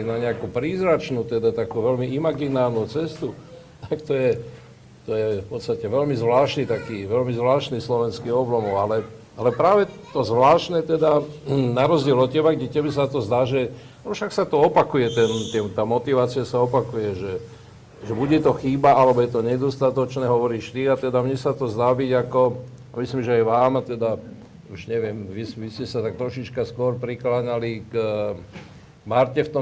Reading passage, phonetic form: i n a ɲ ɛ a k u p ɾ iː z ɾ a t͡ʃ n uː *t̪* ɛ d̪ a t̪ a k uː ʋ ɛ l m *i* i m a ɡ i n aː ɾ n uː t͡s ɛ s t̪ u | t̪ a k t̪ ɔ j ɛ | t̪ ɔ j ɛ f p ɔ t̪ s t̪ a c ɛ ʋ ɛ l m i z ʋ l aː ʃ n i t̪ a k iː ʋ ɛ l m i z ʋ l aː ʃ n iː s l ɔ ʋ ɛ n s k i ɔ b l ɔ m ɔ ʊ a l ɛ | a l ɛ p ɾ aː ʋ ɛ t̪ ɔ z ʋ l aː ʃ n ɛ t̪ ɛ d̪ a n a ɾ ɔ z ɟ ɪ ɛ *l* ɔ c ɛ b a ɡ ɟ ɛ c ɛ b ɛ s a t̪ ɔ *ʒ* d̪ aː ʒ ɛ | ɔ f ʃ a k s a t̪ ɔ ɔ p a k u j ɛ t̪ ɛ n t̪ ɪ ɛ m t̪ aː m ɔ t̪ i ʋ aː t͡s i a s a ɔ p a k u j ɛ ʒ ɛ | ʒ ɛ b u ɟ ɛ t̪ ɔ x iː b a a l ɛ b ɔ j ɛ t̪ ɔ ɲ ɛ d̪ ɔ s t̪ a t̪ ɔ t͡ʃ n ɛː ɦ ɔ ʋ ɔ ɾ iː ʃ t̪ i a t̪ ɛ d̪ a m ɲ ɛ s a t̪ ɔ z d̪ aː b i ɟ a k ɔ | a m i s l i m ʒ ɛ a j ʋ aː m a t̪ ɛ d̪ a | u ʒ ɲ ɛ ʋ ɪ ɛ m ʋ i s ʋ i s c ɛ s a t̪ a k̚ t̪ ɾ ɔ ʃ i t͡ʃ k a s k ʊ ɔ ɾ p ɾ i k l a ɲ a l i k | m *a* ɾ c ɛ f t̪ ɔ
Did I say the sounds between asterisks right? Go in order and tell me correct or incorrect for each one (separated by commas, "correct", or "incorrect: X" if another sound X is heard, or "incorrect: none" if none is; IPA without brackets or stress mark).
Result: correct, correct, correct, incorrect: z, correct